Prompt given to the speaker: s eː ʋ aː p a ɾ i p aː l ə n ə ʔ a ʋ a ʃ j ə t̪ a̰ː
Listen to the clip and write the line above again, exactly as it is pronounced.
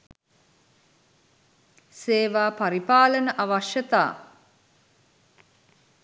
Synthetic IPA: s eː ʋ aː p a ɾ i p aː l ə n ə ʔ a ʋ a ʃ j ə t̪ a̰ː

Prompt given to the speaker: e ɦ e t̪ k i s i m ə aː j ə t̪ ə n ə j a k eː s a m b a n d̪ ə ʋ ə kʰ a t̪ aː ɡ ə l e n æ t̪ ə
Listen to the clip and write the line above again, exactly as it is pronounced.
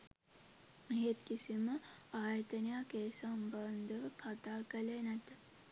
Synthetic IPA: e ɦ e t̪ k i s i m ə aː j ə t̪ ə n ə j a k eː s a m b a n d̪ ə ʋ ə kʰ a t̪ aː k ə l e n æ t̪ ə

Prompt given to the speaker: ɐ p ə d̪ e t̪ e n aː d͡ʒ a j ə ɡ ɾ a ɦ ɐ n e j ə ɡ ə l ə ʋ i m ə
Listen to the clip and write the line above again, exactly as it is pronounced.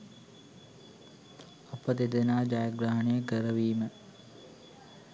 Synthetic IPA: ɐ p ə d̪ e d̪ e n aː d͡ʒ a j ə ɡ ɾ a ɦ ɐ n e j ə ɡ ə ɾ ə ʋ iː m ə

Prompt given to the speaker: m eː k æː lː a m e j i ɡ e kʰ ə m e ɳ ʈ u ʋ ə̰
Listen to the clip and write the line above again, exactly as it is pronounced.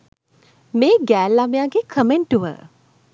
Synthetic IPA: m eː ɡ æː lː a m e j a ɡ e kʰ ə m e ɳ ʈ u ʋ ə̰

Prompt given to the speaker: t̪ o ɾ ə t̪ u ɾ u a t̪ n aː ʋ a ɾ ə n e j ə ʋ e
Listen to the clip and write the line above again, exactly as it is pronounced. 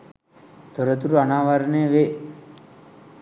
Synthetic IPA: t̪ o ɾ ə t̪ u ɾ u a n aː ʋ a ɾ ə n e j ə ʋ e

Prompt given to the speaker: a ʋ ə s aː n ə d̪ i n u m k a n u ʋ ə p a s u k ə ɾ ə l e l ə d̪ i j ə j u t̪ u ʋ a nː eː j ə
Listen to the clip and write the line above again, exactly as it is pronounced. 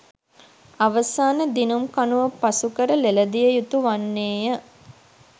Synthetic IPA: a ʋ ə s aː n ə d̪ i n u m k a n u ʋ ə p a s u k ə ɾ ə l e l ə d̪ i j ə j u t̪ u ʋ a nː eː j ə

